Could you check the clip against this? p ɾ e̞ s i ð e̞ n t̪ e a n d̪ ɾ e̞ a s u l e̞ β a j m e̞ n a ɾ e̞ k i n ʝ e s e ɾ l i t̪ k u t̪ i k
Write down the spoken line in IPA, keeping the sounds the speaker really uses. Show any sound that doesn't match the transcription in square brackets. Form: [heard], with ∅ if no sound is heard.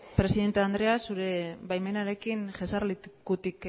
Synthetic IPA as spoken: p ɾ e̞ s i ð e̞ n t̪ e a n d̪ ɾ e̞ a s u [ɾ] e̞ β a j m e̞ n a ɾ e̞ k i n ʝ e s [a] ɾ l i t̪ k u t̪ i k

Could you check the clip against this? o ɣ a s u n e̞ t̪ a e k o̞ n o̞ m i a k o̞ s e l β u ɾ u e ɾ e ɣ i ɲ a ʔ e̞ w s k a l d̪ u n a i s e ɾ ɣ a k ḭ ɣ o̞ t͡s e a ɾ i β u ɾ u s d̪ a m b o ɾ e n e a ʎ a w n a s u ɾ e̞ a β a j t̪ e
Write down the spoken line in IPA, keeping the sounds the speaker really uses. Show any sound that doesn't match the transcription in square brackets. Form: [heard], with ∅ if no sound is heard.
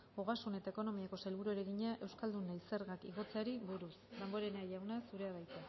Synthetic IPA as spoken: o ɣ a s u n e̞ t̪ a e k o̞ n o̞ m i a k o̞ s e l β u ɾ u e ɾ e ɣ i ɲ a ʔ e̞ w s k a l d̪ u n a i s e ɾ ɣ a k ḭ ɣ o̞ t͡s e a ɾ i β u ɾ u s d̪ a m b o ɾ e n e a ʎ a w n a s u ɾ e̞ a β a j t̪ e

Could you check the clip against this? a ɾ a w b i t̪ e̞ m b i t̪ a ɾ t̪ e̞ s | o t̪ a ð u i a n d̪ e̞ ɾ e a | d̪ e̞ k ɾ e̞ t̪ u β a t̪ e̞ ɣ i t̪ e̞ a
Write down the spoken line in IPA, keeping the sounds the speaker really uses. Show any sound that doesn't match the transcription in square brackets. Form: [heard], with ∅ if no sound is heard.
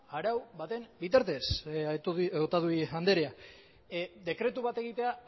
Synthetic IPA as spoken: a ɾ a w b [a] t̪ e̞ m b i t̪ a ɾ t̪ e̞ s | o t̪ a ð u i a n d̪ e̞ ɾ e a | d̪ e̞ k ɾ e̞ t̪ u β a t̪ e̞ ɣ i t̪ e̞ a

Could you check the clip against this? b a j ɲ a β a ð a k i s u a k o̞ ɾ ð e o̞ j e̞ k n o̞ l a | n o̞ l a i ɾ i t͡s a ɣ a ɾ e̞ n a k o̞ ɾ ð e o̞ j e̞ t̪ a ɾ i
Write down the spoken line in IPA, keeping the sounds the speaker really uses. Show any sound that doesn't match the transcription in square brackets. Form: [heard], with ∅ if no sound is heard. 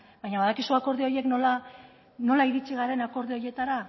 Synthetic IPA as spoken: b a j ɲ a β a ð a k i s u a k o̞ ɾ ð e o̞ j e̞ k n o̞ l a | n o̞ l a i ɾ i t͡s [i] ɣ a ɾ e̞ n a k o̞ ɾ ð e o̞ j e̞ t̪ a ɾ [a]

